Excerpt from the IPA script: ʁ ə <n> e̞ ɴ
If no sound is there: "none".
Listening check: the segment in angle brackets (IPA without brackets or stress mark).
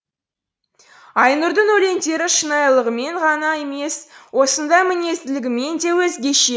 m